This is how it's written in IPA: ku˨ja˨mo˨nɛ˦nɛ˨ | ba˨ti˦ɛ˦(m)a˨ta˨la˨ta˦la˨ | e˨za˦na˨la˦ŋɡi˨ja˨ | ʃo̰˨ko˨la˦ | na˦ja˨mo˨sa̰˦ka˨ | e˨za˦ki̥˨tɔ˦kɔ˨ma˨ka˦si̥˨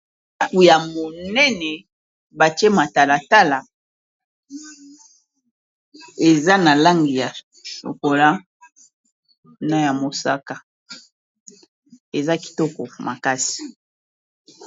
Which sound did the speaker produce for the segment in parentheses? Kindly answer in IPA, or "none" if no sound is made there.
m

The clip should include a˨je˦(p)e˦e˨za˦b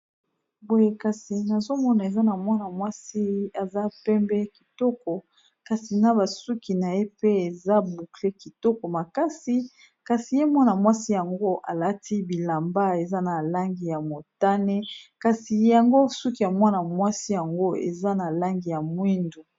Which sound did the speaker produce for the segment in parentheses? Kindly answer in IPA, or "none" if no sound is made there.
p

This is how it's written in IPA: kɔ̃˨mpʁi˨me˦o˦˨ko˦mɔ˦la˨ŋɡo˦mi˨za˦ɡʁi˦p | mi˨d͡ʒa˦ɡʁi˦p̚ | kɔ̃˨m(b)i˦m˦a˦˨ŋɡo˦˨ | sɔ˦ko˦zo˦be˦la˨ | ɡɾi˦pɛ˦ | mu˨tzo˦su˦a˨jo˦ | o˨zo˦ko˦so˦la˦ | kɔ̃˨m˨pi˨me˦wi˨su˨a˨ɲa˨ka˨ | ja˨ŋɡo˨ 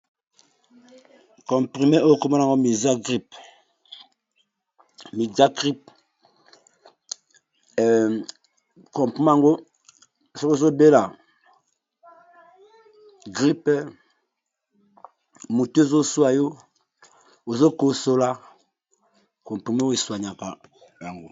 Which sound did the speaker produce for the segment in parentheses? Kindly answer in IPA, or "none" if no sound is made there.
p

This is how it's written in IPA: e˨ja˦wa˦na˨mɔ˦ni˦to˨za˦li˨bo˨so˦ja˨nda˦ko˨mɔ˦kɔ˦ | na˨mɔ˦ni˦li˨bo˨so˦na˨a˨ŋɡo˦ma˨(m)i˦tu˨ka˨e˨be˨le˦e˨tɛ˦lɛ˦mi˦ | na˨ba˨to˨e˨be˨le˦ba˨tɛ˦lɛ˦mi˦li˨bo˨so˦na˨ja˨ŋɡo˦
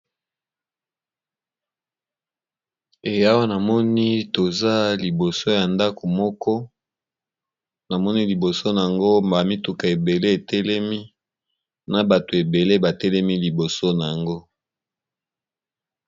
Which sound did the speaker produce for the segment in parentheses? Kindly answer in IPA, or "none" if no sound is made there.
m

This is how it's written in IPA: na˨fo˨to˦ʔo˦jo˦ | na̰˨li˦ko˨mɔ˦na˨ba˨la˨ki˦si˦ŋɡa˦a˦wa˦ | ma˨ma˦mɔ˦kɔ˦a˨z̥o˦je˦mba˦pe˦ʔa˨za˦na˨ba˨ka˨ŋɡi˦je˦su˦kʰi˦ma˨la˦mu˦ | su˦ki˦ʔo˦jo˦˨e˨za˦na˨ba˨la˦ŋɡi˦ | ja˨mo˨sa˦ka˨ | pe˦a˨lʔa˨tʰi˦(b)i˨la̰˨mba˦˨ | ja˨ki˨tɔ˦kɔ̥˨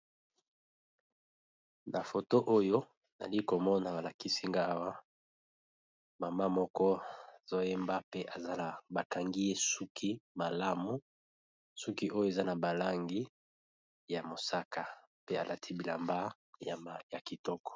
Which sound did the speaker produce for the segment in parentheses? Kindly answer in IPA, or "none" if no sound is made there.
b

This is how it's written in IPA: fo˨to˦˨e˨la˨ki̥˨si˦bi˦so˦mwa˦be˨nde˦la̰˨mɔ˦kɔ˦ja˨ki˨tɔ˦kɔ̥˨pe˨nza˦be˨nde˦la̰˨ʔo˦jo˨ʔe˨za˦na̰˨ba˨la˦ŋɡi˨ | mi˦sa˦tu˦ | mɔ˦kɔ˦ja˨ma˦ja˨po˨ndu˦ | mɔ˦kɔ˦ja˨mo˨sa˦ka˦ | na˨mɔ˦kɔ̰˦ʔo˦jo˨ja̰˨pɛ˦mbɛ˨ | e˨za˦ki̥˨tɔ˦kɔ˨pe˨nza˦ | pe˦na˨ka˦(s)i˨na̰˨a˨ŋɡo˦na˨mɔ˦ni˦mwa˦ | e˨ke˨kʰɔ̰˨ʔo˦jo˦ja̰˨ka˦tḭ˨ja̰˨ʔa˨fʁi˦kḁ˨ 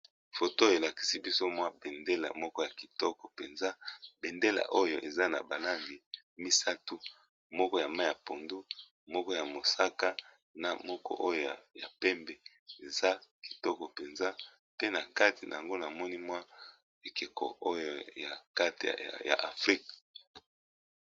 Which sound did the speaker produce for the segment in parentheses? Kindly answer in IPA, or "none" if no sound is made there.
t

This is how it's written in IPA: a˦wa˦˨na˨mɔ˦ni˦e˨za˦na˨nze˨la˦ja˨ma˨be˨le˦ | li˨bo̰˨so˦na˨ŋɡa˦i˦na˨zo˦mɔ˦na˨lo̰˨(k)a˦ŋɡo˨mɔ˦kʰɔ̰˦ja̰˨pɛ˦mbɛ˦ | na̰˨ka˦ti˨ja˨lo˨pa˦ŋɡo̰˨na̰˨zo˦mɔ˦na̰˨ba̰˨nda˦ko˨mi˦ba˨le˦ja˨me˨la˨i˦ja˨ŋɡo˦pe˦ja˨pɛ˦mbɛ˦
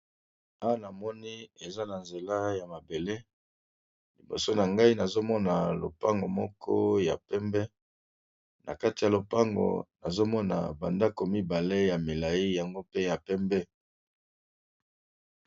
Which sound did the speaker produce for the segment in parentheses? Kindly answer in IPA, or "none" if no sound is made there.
p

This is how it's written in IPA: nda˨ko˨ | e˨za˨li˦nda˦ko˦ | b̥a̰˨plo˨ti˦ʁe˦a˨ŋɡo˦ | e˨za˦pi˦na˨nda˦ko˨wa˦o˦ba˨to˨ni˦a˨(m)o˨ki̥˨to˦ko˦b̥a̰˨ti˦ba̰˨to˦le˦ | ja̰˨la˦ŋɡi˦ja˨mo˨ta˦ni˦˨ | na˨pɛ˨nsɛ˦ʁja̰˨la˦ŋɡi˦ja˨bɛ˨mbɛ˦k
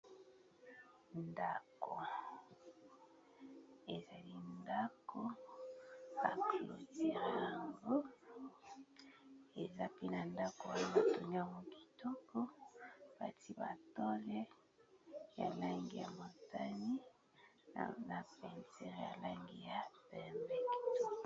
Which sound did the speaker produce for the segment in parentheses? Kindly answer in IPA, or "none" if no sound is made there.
m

